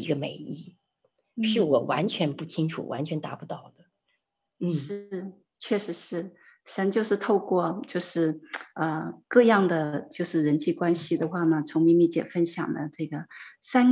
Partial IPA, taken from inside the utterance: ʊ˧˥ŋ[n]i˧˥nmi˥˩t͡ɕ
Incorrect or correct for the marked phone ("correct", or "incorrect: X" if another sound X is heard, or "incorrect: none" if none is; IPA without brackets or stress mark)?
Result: incorrect: m